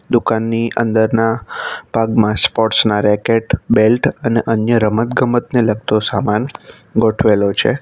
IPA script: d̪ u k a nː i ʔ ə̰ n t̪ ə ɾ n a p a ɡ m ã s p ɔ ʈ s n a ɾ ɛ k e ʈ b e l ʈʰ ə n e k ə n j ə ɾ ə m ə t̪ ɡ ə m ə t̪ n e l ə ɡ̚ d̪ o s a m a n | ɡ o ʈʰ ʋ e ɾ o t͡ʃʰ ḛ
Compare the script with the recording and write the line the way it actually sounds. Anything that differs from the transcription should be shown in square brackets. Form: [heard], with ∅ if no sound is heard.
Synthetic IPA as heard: d̪ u k a nː i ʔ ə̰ n [d̪] ə ɾ n a p a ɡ m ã s p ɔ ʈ s n a ɾ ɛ k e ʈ b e l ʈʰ ə n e [ʔ] ə n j ə ɾ ə m ə t̪ ɡ ə m ə t̪ n e l ə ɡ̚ [t̪] o s a m a n | ɡ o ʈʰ ʋ e [l] o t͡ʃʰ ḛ